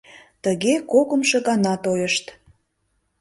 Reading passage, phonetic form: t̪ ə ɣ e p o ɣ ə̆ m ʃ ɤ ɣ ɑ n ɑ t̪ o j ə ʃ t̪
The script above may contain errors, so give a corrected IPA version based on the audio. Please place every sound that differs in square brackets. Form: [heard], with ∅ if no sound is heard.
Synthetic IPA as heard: t̪ ə ɣ e [k] o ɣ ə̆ m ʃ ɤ ɣ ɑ n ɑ t̪ o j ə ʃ t̪